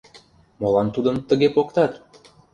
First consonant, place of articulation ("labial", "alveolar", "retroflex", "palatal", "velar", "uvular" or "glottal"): labial